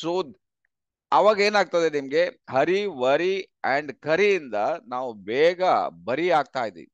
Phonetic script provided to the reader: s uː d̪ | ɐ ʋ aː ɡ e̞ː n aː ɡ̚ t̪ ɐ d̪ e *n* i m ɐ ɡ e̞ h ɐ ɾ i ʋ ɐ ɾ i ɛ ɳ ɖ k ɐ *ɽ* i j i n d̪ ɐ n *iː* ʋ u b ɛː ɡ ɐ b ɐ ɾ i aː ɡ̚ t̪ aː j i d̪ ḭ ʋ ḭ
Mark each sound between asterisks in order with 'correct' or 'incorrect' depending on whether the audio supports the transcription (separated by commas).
correct, incorrect, incorrect